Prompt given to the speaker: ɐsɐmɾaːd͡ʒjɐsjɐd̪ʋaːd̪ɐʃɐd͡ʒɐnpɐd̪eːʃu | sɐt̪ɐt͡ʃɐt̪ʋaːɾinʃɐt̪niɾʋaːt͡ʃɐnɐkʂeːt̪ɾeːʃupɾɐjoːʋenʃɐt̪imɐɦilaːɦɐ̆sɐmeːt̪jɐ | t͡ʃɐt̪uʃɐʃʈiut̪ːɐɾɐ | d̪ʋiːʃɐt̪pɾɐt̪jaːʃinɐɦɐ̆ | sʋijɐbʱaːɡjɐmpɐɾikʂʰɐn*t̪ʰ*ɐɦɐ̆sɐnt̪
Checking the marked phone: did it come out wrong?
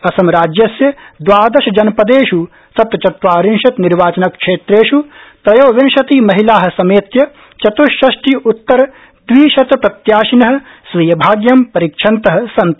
yes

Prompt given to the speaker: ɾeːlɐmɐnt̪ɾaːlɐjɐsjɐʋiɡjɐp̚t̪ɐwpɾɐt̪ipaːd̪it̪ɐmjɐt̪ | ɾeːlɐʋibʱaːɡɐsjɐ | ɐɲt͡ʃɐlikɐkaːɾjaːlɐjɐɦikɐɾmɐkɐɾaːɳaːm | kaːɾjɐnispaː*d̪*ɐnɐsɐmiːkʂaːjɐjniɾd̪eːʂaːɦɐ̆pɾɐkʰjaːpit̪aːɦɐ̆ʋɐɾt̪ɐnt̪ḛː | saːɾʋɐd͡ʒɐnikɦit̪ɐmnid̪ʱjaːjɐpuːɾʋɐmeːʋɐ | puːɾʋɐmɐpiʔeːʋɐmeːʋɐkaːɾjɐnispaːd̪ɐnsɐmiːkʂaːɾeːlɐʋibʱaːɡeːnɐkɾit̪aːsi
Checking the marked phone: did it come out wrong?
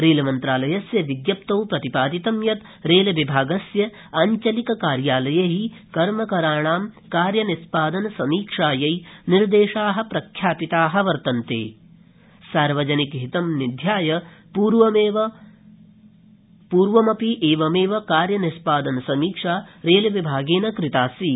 no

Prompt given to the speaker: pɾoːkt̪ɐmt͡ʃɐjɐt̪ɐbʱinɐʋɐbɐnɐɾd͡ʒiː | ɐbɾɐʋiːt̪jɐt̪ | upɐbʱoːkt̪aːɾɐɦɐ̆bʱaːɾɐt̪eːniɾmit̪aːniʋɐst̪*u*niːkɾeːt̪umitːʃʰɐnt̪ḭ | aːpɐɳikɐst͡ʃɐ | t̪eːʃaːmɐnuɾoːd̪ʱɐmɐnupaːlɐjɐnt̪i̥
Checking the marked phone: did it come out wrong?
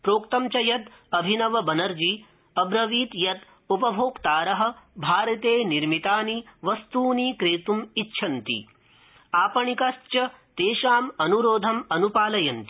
yes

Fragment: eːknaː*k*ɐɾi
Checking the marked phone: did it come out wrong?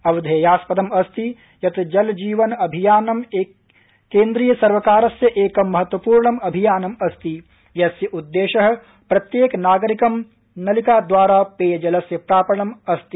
yes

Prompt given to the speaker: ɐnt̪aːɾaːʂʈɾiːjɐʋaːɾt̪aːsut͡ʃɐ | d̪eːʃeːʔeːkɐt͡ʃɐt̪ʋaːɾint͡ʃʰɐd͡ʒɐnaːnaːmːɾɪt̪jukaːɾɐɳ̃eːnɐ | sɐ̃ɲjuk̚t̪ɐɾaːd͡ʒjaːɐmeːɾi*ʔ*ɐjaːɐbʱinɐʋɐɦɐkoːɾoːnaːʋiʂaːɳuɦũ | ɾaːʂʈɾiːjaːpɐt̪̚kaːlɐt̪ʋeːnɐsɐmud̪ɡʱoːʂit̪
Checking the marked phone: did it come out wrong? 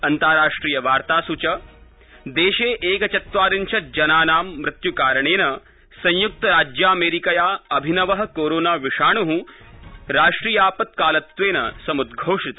yes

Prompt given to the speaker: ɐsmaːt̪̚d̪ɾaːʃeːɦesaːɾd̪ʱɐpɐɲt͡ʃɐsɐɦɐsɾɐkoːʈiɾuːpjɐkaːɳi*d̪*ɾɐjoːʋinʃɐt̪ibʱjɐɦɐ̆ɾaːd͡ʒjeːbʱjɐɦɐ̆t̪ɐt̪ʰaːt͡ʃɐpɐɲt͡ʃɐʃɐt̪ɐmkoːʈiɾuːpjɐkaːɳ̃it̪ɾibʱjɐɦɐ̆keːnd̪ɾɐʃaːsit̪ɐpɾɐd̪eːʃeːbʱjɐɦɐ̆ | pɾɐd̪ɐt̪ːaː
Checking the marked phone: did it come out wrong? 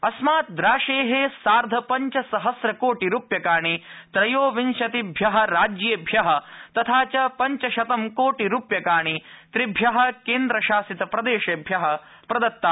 yes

